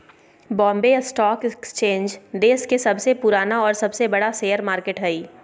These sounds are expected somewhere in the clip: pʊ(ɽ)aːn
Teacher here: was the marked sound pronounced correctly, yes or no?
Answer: no